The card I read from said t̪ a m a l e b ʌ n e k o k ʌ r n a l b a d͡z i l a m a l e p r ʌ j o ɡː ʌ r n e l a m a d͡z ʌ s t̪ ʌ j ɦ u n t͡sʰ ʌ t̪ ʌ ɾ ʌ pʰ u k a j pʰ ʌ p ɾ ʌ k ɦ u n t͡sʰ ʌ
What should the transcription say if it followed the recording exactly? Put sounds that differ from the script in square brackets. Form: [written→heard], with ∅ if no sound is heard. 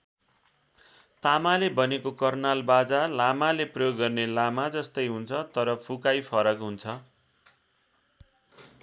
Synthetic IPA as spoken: t̪ a m a l e b ʌ n e k o k ʌ r n a l b a d͡z [i→a] l a m a l e p r ʌ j o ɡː ʌ r n e l a m a d͡z ʌ s t̪ ʌ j ɦ u n t͡sʰ ʌ t̪ ʌ ɾ ʌ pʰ u k a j pʰ ʌ [p→∅] ɾ ʌ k ɦ u n t͡sʰ ʌ